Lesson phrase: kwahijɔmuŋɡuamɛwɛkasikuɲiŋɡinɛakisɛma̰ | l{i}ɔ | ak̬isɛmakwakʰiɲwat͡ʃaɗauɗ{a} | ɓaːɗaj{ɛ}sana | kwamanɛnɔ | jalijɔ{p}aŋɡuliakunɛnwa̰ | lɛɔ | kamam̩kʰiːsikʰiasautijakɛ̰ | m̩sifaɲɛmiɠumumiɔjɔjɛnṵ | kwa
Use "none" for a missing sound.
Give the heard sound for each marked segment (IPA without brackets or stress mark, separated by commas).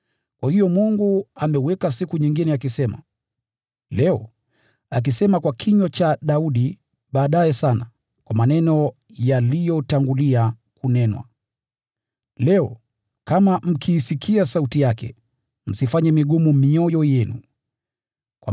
ɛ, i, ɛ, t